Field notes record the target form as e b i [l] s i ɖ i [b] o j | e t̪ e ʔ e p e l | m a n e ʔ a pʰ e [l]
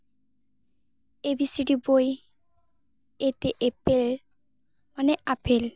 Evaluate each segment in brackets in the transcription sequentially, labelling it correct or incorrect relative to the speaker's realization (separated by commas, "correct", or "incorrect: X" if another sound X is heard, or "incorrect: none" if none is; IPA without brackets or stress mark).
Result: incorrect: none, correct, correct